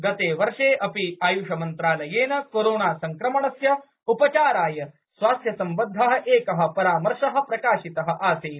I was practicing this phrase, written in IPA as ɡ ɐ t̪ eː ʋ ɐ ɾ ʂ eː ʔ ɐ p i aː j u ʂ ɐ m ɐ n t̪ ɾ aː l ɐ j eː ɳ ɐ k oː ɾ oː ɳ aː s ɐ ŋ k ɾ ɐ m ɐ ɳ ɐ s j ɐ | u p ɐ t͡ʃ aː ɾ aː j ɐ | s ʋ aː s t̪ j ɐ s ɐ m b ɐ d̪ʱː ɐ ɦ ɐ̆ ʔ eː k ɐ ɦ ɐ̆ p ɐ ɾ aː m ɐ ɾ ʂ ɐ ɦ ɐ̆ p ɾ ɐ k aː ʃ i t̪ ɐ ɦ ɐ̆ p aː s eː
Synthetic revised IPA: ɡ ɐ t̪ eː ʋ ɐ ɾ ʂ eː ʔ ɐ p i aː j u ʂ ɐ m ɐ n t̪ ɾ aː l ɐ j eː n ɐ k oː ɾ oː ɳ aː s ɐ ŋ k ɾ ɐ m ɐ ɳ ɐ s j ɐ | u p ɐ t͡ʃ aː ɾ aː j ɐ | s ʋ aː s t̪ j ɐ s ɐ m b ɐ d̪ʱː ɐ ɦ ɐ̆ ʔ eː k ɐ ɦ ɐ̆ p ɐ ɾ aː m ɐ ɾ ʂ ɐ ɦ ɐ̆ p ɾ ɐ k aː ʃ i t̪ ɐ ɦ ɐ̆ ʔ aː s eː